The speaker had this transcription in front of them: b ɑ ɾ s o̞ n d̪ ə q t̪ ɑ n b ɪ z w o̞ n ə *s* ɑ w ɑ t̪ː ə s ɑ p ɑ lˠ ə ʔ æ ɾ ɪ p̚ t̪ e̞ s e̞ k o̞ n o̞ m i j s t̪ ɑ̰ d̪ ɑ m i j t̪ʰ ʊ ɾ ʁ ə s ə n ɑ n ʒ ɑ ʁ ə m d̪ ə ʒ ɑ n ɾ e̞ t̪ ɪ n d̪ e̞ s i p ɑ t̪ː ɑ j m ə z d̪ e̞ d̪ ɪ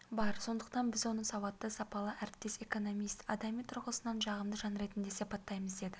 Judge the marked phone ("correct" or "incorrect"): correct